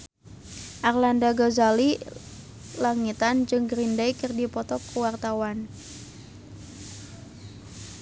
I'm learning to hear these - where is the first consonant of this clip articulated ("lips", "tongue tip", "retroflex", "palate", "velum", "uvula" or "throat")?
throat